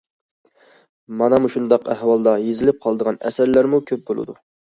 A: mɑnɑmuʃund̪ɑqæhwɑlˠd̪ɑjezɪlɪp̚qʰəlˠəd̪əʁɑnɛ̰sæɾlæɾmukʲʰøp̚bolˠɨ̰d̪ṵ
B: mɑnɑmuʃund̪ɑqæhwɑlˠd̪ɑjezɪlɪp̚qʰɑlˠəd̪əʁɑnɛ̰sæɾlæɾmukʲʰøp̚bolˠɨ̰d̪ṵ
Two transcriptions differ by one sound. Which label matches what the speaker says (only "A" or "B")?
B